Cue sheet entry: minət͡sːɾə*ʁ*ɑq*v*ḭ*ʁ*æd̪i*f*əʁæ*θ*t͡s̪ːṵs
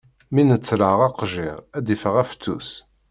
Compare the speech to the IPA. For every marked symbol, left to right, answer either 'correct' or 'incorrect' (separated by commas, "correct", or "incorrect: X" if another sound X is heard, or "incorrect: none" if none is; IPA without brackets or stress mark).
correct, incorrect: ʒ, correct, correct, incorrect: f